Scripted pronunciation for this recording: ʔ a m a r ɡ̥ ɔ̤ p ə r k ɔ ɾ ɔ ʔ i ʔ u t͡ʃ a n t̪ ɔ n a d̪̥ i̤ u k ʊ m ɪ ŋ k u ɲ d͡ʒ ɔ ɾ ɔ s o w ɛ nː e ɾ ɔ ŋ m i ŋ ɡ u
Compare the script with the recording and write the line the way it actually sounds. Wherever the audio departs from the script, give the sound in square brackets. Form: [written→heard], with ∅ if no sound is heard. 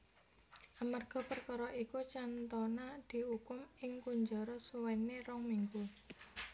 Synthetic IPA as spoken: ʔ a m a r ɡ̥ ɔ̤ p ə r k ɔ ɾ ɔ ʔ i [ʔ→k] u t͡ʃ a n t̪ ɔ n a d̪̥ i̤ u k ʊ m ɪ ŋ k u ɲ d͡ʒ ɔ ɾ ɔ s [o→u] w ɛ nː e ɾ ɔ ŋ m i ŋ ɡ u